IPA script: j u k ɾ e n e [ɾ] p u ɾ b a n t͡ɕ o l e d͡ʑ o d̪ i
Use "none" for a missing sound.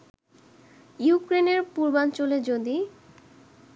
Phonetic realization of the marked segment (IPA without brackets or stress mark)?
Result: ɾ